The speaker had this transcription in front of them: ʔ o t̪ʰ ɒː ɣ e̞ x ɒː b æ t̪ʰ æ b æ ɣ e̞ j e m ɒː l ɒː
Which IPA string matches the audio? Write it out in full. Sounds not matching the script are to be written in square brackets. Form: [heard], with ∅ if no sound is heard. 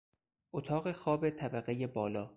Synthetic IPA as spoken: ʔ o t̪ʰ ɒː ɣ e̞ x ɒː b [e] t̪ʰ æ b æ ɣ e̞ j e [b] ɒː l ɒː